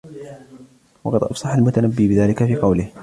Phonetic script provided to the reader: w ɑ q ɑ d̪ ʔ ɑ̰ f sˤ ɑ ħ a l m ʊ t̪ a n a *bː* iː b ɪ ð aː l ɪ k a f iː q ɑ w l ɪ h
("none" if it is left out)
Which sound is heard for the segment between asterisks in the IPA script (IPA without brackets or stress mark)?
bː